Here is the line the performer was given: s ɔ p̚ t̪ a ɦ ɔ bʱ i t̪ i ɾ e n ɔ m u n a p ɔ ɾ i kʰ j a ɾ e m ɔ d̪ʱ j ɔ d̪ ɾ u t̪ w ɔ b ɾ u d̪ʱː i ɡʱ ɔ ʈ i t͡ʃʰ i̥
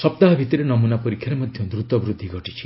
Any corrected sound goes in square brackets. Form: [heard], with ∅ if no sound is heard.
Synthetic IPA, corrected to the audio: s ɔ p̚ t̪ a ɦ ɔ bʱ i t̪ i ɾ e n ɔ m u n a p ɔ ɾ i kʰ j a ɾ e m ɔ d̪ʱ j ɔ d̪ ɾ u t̪ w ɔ b ɾ u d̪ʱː i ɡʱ ɔ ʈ i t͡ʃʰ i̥